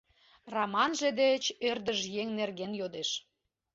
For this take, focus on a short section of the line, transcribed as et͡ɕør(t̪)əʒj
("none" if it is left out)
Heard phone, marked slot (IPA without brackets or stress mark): d̪